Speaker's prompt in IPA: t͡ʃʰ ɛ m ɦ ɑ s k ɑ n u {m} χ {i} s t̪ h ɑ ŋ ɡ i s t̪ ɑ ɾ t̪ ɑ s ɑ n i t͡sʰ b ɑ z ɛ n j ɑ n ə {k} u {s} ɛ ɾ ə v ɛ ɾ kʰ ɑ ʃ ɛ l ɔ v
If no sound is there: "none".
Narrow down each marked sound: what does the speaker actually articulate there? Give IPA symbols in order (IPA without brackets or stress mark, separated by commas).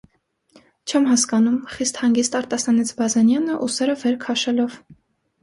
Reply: m, i, ʔ, s